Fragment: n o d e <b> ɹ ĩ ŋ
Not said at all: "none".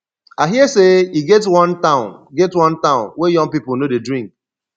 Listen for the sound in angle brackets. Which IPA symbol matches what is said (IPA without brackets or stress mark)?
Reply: d